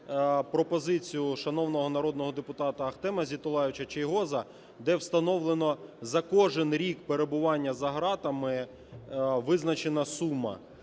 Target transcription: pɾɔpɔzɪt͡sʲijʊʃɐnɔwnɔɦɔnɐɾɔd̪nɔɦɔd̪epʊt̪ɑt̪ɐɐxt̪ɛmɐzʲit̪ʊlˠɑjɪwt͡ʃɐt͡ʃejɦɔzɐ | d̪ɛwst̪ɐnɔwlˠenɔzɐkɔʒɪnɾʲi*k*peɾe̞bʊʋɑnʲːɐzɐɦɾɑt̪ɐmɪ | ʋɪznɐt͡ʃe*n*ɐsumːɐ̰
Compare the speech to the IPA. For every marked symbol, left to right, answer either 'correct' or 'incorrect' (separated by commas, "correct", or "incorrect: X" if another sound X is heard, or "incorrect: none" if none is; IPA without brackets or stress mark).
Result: correct, correct